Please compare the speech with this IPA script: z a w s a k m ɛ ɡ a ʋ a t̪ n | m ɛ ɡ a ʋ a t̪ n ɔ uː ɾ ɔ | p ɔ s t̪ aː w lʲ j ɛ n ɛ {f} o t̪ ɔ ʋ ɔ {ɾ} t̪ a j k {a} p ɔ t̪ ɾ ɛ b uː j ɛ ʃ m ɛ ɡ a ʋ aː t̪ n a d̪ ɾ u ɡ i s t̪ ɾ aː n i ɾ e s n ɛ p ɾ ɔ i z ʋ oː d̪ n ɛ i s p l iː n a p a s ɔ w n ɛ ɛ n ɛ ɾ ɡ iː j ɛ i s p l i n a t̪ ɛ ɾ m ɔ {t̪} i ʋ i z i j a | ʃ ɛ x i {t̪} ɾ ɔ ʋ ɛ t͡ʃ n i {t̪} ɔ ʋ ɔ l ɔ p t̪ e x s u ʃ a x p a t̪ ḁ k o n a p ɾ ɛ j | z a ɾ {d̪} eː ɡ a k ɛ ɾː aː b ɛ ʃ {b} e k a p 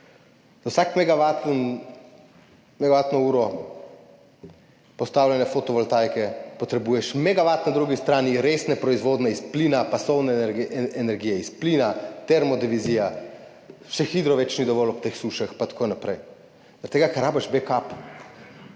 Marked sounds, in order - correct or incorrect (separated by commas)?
correct, incorrect, incorrect, incorrect, incorrect, incorrect, incorrect, correct